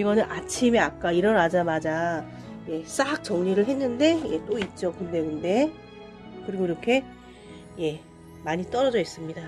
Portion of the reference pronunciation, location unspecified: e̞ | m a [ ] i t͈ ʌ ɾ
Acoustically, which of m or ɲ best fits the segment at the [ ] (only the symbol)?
ɲ